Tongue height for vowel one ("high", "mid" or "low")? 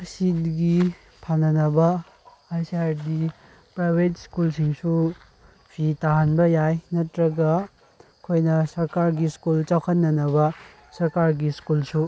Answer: high